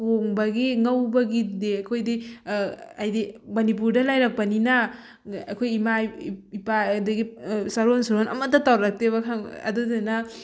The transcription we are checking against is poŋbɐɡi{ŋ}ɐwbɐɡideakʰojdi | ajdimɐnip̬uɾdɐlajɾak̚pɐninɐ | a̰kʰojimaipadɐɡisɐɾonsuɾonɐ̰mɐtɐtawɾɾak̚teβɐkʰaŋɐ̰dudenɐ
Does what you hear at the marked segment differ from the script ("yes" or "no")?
no